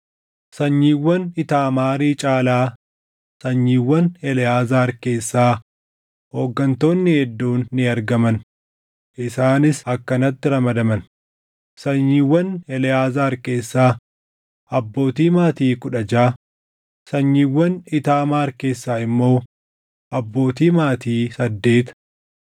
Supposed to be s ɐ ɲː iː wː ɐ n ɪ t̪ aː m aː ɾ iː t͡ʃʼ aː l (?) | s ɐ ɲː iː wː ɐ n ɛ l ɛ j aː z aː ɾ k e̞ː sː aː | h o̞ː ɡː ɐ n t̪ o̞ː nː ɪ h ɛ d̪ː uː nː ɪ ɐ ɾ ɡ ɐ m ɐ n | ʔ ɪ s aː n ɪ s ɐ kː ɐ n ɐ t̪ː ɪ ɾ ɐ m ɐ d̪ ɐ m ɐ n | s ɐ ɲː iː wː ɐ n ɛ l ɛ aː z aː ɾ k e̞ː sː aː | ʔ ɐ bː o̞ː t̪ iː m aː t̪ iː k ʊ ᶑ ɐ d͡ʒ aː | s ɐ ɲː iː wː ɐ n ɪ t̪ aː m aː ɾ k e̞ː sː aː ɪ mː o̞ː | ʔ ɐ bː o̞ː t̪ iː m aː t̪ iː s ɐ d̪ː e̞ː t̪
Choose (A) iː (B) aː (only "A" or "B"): B